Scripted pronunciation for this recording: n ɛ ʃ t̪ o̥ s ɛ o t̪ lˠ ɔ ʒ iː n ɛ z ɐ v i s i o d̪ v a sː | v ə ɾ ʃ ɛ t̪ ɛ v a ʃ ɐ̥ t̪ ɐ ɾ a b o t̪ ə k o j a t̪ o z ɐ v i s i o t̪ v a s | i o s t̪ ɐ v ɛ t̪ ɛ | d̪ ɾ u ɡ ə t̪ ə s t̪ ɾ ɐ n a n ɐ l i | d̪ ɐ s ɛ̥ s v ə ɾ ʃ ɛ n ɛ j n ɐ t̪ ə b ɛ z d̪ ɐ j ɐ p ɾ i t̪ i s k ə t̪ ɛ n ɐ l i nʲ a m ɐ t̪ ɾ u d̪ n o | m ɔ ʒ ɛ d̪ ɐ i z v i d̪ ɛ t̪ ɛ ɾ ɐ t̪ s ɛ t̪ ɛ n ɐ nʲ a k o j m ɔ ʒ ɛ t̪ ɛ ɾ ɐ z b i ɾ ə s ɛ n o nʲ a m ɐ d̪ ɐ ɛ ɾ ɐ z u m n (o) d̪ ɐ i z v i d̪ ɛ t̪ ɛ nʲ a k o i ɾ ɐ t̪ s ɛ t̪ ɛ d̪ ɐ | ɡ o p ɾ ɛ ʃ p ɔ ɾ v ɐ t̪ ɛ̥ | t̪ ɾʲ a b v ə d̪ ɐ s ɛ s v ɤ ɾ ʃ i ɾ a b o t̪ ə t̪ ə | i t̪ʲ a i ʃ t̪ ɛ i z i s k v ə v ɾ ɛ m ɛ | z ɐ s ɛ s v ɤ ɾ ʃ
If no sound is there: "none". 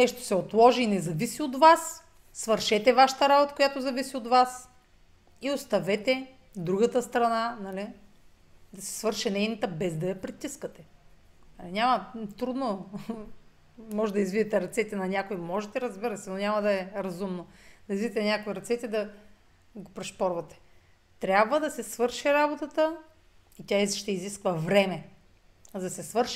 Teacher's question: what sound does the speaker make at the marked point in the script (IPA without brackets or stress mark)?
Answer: o